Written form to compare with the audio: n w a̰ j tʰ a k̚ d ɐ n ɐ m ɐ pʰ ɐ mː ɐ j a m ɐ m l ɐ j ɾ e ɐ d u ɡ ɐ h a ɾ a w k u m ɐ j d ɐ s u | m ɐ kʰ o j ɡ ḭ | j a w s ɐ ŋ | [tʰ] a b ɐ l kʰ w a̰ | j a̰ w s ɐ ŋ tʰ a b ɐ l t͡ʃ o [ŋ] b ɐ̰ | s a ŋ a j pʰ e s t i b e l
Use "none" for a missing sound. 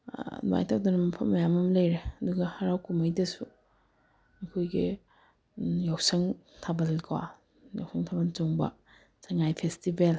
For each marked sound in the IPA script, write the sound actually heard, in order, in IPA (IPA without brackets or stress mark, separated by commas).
tʰ, ŋ